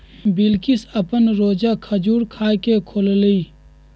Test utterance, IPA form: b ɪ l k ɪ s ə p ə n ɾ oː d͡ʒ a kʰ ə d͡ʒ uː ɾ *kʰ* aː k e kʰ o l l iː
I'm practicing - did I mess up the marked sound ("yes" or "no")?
no